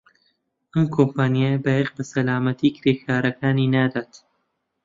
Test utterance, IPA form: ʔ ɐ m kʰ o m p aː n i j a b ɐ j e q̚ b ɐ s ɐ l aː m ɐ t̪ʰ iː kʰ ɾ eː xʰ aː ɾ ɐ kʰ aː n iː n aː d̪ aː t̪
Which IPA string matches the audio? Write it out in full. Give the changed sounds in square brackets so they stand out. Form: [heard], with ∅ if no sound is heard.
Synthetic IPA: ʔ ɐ m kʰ o m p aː n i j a b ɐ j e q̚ b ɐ s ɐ l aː m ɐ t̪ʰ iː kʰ ɾ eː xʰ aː ɾ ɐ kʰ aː n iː n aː d̪ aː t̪